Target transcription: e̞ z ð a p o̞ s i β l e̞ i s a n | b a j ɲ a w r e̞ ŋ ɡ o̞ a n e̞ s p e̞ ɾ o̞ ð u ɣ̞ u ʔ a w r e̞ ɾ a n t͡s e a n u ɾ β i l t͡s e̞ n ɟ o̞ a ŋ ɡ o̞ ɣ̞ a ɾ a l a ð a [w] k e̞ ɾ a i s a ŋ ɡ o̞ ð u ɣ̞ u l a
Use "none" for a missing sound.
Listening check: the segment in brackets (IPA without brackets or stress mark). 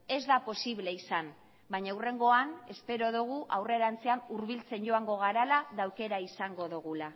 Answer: w